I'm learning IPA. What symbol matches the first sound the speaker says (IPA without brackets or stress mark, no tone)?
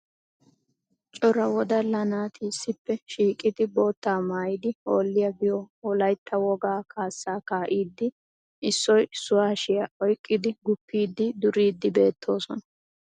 t͡ʃʼ